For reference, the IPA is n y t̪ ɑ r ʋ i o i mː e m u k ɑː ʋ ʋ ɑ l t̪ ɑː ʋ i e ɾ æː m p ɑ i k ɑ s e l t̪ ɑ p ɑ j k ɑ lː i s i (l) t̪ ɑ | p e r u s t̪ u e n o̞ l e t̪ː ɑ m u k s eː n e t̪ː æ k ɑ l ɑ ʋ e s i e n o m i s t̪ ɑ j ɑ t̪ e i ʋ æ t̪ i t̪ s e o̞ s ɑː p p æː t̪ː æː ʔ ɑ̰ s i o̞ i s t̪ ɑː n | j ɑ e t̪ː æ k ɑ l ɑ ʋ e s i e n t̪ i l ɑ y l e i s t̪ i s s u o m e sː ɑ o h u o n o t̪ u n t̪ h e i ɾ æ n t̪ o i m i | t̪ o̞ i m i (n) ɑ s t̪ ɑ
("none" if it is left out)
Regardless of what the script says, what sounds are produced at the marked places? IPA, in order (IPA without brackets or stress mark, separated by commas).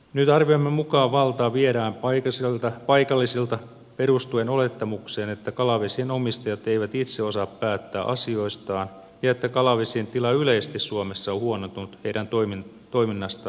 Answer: l, nː